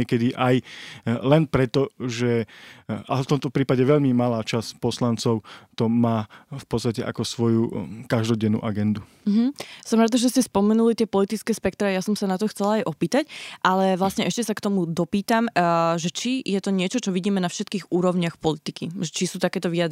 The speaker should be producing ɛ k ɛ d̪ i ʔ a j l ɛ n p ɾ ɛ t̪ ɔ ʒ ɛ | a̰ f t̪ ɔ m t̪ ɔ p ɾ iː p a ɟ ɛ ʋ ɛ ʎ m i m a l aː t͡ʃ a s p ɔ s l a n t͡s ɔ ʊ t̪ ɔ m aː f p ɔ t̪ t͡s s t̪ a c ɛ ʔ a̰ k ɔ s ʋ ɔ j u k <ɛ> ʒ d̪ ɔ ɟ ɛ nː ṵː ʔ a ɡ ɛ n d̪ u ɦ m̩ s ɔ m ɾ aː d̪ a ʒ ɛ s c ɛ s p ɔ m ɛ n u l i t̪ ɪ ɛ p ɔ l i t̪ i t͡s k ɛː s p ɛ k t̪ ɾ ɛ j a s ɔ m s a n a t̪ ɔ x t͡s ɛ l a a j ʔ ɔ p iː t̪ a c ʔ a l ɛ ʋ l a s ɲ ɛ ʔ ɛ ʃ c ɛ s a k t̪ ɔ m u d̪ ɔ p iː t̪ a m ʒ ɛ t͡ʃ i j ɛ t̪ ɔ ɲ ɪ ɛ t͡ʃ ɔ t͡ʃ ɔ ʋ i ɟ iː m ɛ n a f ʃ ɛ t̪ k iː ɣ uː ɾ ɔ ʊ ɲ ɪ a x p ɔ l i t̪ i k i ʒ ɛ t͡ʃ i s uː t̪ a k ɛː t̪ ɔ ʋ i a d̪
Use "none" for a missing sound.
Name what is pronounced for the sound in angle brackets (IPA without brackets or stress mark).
a